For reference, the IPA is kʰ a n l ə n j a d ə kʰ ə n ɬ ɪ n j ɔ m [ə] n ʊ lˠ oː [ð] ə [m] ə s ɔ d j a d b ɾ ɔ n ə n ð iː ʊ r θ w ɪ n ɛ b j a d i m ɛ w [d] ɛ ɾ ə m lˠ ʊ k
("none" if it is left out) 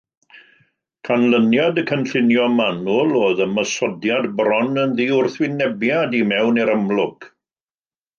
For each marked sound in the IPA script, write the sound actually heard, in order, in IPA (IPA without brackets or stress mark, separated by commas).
a, ð, m, n